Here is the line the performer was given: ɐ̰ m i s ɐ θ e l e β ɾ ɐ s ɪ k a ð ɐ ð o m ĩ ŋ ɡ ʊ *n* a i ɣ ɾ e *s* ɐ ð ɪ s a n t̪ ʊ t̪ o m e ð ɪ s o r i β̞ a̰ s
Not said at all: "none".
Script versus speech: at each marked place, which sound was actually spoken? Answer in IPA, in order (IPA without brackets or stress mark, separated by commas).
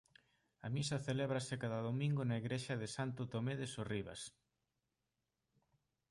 n, ʃ